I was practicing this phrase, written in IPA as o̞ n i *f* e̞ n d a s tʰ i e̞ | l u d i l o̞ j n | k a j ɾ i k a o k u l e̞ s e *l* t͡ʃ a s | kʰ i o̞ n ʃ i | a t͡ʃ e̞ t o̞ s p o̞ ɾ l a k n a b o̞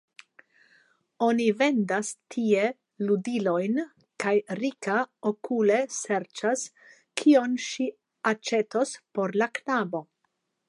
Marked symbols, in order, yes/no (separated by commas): no, no